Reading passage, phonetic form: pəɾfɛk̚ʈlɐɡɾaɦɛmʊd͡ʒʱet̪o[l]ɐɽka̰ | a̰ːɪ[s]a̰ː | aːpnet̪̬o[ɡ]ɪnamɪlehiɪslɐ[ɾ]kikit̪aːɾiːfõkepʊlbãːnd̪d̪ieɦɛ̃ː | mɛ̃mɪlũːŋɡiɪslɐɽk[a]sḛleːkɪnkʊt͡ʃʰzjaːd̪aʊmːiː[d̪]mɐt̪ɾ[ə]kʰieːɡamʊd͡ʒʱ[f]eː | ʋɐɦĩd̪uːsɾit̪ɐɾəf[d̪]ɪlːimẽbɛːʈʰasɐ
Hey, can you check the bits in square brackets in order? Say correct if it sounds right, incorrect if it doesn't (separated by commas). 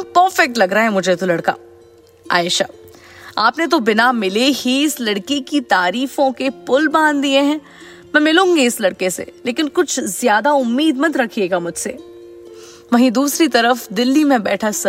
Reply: correct, incorrect, incorrect, incorrect, incorrect, correct, incorrect, incorrect, correct